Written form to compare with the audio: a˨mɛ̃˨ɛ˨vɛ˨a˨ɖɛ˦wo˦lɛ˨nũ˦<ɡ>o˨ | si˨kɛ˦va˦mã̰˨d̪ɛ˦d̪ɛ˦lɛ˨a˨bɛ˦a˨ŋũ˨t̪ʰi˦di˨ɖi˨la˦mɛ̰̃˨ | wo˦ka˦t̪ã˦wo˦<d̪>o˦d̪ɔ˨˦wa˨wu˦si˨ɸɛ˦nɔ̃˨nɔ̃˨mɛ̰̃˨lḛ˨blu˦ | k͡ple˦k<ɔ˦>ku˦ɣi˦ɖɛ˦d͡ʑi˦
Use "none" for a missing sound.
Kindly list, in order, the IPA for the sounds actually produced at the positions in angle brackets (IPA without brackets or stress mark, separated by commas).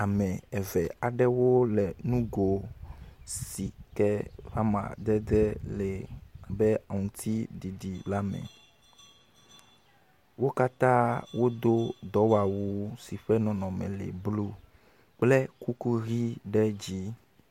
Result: ɡ, d̪, u˦